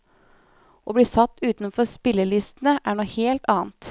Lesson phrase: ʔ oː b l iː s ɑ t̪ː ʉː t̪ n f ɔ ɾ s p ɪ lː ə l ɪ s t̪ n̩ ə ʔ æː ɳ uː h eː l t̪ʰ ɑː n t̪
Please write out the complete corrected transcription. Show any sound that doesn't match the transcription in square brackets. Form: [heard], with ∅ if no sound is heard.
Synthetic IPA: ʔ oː b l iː s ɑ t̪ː ʉː t̪ n f ɔ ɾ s p ɪ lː ə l ɪ s t̪ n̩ ə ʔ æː ɳ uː h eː l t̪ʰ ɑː n t̪